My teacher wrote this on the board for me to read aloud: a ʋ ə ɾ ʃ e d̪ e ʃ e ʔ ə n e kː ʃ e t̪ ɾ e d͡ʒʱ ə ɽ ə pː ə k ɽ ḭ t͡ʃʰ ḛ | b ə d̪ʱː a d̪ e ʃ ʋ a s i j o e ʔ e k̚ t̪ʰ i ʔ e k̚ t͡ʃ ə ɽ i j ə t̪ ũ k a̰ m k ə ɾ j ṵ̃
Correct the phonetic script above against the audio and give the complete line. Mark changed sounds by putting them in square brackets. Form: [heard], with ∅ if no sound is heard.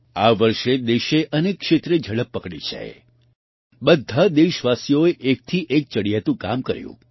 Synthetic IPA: a ʋ ə ɾ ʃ e d̪ e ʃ e ʔ ə n e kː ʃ e t̪ ɾ e d͡ʒʱ ə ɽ ə pː ə k ɽ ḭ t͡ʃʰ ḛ | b ə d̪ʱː a d̪ e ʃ ʋ a s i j o e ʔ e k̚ t̪ʰ i ʔ e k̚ t͡ʃ ə ɽ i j [a] t̪ ũ k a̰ m k ə ɾ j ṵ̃